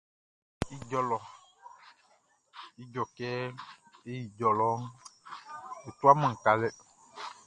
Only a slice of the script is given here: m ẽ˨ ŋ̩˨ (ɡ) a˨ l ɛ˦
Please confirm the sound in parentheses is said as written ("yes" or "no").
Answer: no